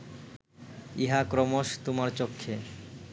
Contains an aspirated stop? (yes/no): yes